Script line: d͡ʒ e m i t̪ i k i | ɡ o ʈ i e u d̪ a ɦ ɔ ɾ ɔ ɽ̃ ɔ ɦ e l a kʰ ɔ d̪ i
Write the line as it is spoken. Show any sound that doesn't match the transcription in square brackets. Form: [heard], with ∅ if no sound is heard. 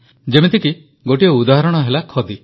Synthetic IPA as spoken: d͡ʒ e m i t̪ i k i | ɡ o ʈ i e u d̪ a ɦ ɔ ɾ ɔ ɽ̃ ɔ ɦ e l a kʰ ɔ d̪ i